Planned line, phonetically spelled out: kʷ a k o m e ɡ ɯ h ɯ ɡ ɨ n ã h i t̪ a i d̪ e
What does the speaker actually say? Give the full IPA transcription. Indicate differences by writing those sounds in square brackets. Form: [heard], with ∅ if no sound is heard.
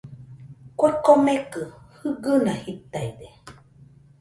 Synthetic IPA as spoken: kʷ a k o m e [k] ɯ h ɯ ɡ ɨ n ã h i t̪ a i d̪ e